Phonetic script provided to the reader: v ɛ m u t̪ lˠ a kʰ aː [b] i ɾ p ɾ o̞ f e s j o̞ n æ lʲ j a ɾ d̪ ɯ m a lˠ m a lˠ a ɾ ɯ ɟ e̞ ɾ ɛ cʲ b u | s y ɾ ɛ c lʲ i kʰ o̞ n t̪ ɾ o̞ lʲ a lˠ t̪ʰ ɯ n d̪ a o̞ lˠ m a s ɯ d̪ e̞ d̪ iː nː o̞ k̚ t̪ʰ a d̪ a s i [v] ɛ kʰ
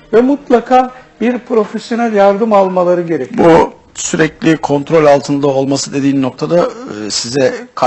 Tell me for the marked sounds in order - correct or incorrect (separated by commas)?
correct, incorrect